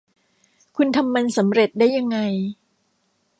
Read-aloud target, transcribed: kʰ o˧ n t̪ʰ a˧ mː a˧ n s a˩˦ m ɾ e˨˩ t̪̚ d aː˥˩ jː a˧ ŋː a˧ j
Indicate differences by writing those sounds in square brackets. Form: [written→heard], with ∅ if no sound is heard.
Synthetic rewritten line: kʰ [o˧→u˧] n t̪ʰ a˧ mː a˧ n s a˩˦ m ɾ e˨˩ t̪̚ d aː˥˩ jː a˧ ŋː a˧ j